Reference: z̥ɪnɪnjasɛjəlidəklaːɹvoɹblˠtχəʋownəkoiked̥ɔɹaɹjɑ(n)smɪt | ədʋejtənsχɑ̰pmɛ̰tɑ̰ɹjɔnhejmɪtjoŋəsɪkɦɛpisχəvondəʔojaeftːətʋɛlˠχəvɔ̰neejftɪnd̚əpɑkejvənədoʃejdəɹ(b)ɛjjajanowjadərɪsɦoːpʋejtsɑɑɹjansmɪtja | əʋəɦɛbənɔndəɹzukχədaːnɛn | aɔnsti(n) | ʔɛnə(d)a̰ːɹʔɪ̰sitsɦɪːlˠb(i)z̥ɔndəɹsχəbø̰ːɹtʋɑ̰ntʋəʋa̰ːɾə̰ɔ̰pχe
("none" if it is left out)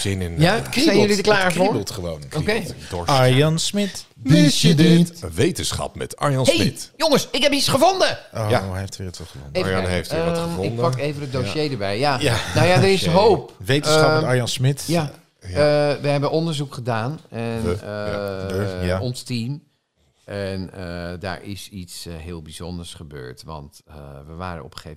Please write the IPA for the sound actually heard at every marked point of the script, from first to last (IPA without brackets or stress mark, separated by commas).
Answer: n, b, m, d, i